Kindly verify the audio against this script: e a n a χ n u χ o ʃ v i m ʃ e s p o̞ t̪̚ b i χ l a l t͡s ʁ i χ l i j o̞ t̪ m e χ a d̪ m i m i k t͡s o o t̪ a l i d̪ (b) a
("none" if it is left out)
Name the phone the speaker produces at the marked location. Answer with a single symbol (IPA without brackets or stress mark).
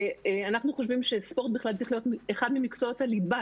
b